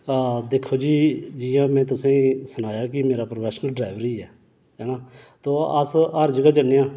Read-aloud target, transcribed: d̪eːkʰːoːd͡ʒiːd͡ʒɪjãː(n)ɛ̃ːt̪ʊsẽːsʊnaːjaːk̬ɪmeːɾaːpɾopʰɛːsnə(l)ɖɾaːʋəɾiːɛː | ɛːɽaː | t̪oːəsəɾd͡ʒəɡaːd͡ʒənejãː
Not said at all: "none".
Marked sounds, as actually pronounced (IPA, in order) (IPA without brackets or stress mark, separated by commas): m, l